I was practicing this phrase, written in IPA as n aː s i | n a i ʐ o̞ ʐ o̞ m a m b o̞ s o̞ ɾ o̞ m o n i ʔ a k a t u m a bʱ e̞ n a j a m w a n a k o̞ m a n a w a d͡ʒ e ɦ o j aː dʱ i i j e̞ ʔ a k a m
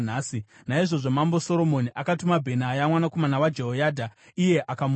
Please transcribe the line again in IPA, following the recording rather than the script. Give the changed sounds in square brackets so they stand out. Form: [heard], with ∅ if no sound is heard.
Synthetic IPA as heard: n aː s i | n a i ʐ o̞ ʐ o̞ m a m b o̞ s o̞ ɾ o̞ m o n i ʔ a k a t u m a bʱ e̞ n a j a m w a n a k o̞ m a n a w a d͡ʒ e ɦ o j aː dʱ [a] i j e̞ ʔ a k a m